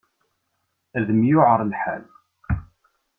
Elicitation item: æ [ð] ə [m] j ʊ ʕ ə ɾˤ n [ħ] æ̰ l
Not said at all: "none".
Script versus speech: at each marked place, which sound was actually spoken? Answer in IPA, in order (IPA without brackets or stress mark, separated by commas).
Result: ð, m, ħ